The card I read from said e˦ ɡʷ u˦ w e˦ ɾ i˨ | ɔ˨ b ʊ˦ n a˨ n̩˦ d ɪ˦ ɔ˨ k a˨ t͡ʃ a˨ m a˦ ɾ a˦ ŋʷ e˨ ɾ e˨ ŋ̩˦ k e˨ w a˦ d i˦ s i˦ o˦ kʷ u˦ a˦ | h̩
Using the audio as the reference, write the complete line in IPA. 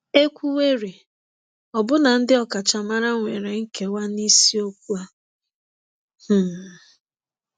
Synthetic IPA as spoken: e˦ kʷ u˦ w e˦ ɾ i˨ | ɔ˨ b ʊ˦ n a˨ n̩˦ d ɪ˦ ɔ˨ k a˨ t͡ʃ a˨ m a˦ ɾ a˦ ŋʷ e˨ ɾ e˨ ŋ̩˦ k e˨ w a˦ n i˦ s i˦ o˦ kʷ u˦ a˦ | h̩